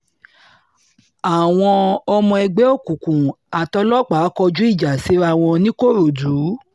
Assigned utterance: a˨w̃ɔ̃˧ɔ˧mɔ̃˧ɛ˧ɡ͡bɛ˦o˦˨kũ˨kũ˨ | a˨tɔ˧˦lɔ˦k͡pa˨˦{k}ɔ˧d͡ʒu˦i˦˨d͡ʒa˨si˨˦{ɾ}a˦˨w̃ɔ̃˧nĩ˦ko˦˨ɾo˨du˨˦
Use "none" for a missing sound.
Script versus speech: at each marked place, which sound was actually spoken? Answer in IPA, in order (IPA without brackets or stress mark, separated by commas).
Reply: k, ɾ